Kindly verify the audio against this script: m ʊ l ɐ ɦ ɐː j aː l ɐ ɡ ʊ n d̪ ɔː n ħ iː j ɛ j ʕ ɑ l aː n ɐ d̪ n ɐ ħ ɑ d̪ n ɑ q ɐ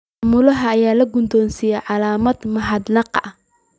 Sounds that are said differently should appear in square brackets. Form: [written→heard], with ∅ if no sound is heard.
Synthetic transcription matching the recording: m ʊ l ɐ ɦ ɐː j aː l ɐ ɡ ʊ n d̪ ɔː n [ħ→s] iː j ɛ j ʕ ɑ l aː [n→m] ɐ d̪ [n→m] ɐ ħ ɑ d̪ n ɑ q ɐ